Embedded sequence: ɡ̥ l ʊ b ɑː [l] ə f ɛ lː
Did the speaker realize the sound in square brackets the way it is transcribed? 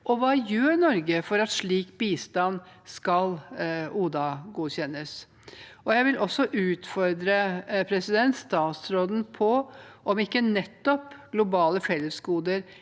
yes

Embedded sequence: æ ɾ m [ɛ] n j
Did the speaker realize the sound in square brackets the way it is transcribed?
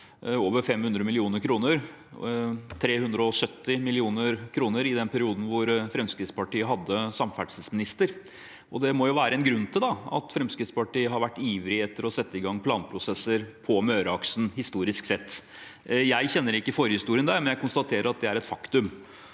yes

